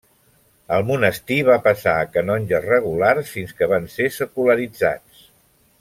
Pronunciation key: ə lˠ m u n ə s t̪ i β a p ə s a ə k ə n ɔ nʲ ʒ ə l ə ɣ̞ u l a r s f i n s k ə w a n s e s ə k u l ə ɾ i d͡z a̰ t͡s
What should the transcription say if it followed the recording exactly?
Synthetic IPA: ə lˠ m u n ə s t̪ i β a p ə s a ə k ə n ɔ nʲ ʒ ə r ə ɣ̞ u l a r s f i n s k ə β a n s e s ə k u l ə ɾ i d͡z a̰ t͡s